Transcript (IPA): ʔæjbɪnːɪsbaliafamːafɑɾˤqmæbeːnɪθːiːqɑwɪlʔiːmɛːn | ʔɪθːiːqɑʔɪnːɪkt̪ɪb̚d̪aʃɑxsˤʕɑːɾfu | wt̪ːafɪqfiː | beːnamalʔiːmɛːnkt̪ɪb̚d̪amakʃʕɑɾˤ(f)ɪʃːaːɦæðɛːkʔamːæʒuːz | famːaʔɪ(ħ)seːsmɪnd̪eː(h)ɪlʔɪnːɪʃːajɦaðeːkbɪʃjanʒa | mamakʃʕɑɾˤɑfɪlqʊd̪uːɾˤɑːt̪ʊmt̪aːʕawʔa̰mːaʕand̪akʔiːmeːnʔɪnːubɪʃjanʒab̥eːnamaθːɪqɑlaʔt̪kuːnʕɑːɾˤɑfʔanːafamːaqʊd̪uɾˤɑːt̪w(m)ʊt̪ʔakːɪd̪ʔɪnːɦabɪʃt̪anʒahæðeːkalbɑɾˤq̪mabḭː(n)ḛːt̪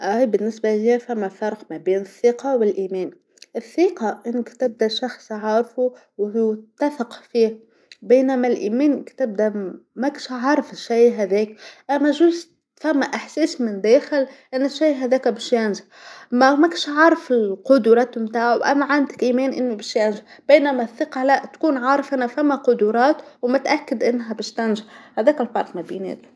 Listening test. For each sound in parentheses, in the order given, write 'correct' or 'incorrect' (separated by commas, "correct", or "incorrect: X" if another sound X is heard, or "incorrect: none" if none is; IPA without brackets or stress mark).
correct, correct, incorrect: x, correct, correct